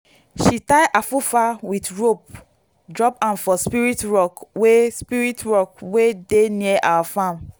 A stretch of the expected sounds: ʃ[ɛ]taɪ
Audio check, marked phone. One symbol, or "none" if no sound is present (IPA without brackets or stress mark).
i